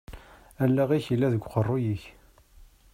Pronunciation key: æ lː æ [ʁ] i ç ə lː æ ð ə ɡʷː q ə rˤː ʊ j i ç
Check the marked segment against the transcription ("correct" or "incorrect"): correct